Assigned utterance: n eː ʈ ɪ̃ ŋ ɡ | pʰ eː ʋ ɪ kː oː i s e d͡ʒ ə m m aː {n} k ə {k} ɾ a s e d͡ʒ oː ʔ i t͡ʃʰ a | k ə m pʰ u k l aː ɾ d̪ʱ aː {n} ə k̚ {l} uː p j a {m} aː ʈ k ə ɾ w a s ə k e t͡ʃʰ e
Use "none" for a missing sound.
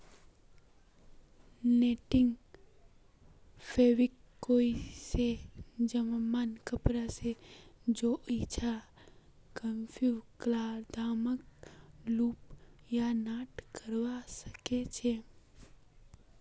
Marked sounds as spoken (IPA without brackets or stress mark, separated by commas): n, p, m, l, n